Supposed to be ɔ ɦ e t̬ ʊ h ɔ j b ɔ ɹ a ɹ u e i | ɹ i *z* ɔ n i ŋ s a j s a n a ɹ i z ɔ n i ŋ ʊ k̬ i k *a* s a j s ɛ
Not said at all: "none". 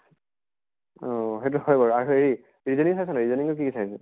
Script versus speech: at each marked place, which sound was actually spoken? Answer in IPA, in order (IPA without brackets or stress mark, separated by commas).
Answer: z, i